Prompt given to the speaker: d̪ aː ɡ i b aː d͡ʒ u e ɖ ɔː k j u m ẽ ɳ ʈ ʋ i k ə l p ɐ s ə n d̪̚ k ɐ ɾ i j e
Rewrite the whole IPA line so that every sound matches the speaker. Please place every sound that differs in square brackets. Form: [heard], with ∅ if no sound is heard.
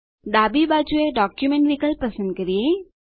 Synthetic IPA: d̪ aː [b] i b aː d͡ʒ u e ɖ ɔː k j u m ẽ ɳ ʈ ʋ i k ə l p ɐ s ə n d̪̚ k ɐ ɾ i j e